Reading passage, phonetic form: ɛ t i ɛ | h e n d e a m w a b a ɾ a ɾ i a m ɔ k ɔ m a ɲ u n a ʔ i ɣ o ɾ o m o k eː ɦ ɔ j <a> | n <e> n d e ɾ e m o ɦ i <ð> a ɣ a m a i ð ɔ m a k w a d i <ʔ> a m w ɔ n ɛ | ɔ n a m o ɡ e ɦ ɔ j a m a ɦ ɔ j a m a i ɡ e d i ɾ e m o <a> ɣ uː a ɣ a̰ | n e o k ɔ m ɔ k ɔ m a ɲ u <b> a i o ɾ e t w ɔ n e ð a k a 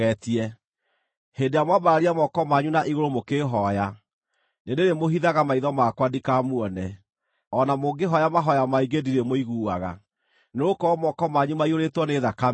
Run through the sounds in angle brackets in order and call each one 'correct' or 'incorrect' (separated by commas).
correct, correct, correct, incorrect, incorrect, incorrect